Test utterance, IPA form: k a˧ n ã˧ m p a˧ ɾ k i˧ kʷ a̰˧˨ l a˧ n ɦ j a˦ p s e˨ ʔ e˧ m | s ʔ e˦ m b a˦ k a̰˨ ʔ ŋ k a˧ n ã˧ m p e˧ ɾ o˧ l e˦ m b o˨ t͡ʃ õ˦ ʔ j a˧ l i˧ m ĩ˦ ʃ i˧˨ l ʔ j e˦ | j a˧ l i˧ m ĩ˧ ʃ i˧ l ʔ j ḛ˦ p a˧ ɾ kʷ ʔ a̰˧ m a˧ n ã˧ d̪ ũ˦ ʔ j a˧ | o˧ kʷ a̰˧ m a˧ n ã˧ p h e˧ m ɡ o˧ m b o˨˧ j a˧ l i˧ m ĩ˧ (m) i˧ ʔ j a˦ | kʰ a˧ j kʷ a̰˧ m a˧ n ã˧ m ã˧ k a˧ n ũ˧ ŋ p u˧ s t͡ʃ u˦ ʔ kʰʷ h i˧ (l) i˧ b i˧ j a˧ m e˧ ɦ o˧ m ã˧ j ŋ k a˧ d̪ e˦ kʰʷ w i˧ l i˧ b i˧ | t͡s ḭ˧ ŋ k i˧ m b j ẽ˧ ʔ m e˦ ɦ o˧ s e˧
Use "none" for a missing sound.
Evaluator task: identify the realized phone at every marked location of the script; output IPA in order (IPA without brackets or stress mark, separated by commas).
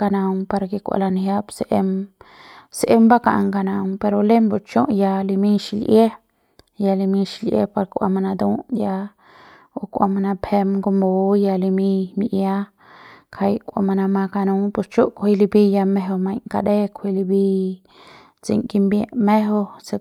m, l